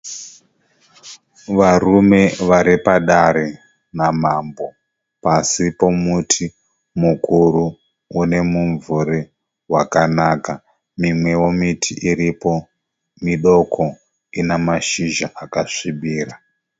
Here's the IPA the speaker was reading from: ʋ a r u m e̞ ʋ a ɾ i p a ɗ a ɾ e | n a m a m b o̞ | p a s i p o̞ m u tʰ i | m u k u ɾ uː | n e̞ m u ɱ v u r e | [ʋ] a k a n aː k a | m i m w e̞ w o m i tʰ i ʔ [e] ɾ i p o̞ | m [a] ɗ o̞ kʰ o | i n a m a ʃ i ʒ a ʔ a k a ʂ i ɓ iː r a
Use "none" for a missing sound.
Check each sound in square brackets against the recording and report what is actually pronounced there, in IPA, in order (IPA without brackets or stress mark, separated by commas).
w, i, i